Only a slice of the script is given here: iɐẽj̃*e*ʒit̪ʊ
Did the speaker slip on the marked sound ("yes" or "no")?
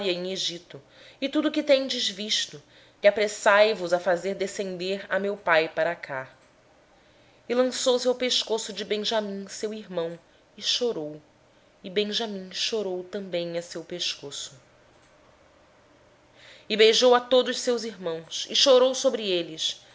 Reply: no